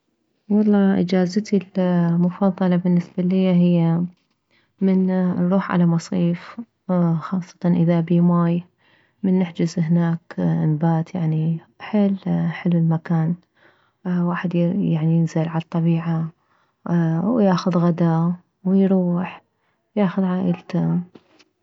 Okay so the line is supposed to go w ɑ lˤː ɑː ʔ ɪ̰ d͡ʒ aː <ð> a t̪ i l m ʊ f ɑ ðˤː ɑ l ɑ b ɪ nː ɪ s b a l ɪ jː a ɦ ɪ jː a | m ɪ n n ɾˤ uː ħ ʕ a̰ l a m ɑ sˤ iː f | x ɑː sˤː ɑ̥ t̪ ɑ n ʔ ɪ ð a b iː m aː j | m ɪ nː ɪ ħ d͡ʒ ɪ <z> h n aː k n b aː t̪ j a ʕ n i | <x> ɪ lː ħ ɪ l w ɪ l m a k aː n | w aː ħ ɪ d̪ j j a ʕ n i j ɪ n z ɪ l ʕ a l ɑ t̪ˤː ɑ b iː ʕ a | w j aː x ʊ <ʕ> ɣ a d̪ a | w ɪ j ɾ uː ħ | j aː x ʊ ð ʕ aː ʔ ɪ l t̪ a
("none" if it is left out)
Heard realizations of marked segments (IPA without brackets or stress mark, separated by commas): z, z, ħ, ð